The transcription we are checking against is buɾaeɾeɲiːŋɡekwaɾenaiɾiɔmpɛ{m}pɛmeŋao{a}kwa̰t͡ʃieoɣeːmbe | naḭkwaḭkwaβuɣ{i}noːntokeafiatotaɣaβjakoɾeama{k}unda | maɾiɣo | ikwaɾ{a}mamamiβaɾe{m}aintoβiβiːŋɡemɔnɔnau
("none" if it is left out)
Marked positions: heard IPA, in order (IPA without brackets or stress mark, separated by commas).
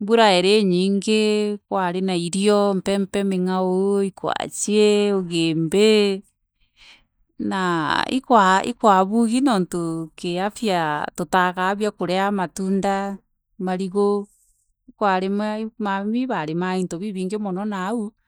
m, i, i, t, e, m